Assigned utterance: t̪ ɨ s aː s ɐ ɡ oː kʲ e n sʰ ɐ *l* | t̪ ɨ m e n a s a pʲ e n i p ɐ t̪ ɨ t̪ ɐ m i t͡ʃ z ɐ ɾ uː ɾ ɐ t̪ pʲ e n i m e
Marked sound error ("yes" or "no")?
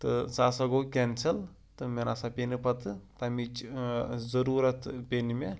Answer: no